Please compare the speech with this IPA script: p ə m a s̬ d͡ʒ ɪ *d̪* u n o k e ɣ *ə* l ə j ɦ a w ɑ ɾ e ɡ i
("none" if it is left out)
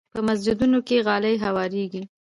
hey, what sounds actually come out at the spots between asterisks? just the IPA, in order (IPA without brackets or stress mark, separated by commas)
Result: d̪, ɑ